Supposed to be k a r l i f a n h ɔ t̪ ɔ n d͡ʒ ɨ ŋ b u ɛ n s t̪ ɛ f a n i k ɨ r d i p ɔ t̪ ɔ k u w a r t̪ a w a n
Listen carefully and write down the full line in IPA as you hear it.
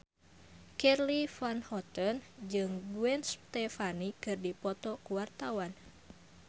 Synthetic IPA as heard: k ɛ r l i f a n h ɔ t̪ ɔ n d͡ʒ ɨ ŋ b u ɛ n s t̪ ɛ f a n i k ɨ r d i p ɔ t̪ ɔ k u w a r t̪ a w a n